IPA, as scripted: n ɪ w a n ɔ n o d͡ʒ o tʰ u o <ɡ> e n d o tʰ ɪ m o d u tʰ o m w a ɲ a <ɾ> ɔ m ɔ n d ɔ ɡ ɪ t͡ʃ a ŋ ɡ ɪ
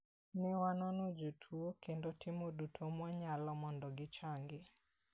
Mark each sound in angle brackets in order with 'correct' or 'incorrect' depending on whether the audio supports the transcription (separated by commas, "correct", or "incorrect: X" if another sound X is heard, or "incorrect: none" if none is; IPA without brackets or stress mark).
incorrect: k, incorrect: l